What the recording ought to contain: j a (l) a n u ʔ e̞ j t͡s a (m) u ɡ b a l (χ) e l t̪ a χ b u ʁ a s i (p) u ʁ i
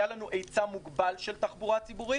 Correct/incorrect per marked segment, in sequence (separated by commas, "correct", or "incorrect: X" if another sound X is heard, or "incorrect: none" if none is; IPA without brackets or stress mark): correct, correct, incorrect: ʃ, incorrect: b